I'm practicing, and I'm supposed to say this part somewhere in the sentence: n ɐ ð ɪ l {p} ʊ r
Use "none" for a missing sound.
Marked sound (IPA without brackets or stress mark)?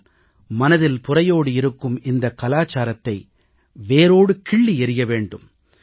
p